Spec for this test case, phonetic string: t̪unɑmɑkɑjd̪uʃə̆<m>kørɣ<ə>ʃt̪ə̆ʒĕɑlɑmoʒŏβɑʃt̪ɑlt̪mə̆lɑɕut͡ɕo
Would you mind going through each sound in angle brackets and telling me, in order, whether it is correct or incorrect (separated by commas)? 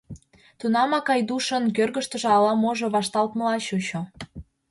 incorrect, correct